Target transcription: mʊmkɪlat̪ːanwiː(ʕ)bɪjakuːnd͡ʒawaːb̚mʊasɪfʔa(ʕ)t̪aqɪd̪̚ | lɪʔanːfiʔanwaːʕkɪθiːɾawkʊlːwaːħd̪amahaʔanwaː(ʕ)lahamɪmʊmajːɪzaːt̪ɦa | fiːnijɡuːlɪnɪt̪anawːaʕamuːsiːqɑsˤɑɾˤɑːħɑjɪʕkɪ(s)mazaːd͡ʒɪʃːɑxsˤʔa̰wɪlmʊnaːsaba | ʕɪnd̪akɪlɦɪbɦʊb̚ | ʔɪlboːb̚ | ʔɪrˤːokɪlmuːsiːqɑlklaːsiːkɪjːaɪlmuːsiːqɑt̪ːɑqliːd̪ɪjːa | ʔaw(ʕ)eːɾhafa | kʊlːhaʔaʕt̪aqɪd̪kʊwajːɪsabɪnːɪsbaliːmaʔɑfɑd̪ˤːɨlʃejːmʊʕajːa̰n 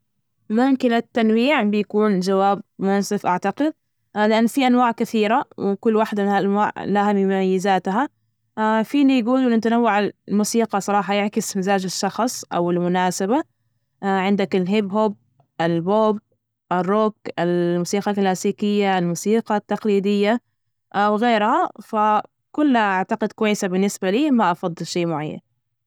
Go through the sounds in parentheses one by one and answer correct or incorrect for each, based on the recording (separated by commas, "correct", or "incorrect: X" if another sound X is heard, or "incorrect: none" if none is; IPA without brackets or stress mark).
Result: correct, correct, correct, correct, incorrect: ɣ